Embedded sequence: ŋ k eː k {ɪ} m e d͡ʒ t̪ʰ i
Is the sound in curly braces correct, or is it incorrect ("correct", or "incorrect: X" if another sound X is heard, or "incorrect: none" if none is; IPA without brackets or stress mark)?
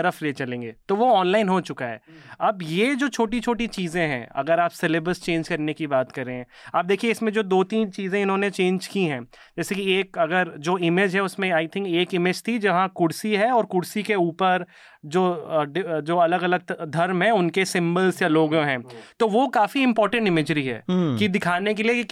correct